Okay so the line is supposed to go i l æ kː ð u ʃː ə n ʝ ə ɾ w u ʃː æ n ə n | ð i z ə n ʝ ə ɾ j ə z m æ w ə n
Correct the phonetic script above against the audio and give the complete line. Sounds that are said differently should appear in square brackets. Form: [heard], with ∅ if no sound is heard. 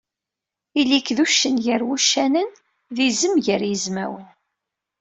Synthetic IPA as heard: i l [i] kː ð u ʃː ə n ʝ ə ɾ w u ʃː æ n ə n | ð i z ə [m] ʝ ə ɾ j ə z m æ w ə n